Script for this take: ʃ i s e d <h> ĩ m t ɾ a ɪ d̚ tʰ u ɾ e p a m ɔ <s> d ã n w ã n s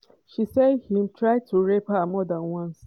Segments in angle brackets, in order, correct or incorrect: correct, incorrect: none

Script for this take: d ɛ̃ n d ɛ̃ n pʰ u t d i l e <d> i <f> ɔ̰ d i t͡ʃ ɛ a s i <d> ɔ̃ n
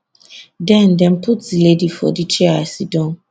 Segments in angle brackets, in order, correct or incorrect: correct, correct, correct

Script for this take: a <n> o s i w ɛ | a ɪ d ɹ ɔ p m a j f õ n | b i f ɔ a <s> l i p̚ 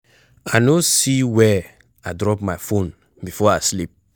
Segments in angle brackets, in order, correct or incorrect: correct, correct

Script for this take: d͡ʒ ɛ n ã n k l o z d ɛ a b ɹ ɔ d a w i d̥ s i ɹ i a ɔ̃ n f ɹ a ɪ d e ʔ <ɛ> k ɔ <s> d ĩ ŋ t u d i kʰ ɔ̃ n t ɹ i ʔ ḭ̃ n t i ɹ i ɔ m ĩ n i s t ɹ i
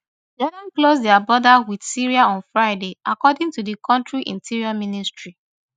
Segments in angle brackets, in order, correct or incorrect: incorrect: a, incorrect: none

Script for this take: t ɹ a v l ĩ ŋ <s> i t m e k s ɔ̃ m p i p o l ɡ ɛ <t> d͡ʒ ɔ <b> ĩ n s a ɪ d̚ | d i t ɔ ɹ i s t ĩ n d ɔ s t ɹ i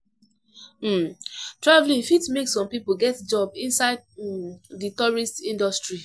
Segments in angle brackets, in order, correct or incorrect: incorrect: f, correct, correct

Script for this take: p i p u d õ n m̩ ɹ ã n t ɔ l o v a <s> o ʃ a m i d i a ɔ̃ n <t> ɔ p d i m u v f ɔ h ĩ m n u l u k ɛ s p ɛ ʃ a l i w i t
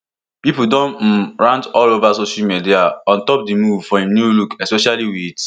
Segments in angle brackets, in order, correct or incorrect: correct, correct

